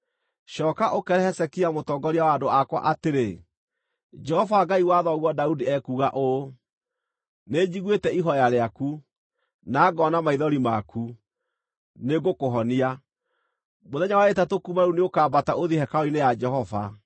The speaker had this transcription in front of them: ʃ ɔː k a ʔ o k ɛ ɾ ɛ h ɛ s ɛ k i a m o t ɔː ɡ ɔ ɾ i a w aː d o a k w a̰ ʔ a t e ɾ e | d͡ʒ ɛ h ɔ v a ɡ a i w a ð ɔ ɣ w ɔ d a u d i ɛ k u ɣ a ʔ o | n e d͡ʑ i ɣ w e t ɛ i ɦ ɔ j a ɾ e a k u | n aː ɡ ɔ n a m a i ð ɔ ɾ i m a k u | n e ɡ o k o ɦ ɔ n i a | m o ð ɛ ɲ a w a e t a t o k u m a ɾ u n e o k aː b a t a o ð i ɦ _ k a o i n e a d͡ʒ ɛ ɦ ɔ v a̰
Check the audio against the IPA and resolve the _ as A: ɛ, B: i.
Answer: A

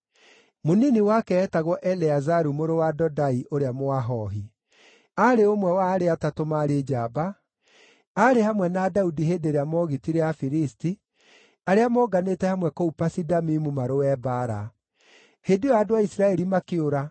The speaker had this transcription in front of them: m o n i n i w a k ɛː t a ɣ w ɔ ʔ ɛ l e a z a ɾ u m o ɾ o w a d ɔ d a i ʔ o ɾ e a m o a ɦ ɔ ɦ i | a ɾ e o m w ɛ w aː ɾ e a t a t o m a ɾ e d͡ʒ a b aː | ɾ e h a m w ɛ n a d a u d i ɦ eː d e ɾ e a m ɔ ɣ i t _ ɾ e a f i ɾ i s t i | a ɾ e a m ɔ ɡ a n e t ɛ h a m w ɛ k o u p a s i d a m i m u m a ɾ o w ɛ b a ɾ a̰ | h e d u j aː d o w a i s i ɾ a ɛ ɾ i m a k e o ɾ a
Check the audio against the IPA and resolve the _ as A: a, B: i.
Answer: B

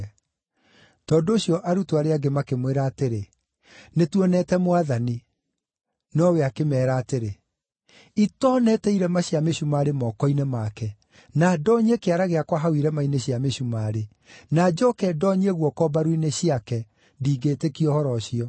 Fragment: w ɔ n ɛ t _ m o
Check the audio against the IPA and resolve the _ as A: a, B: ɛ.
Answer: B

